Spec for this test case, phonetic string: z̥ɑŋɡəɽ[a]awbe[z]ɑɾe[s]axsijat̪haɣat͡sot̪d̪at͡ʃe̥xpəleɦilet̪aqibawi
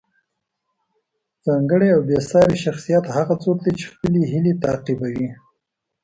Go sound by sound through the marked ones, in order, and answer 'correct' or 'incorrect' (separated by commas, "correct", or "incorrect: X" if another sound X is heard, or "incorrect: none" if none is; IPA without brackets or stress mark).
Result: incorrect: e, incorrect: s, incorrect: ʃ